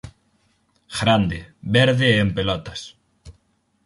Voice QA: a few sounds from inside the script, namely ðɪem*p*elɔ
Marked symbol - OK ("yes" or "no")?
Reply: yes